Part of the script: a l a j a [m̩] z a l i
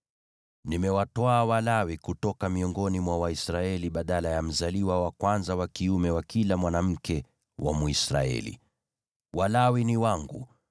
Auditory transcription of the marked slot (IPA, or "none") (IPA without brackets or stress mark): m̩